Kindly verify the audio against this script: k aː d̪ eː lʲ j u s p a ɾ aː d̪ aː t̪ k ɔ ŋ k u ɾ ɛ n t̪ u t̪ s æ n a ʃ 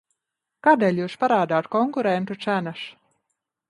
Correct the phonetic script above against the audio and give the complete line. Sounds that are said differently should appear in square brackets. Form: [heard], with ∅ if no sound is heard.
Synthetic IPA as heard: k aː d̪ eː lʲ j [uː] s p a ɾ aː d̪ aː t̪ k ɔ ŋ k u ɾ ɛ n t̪ u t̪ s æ n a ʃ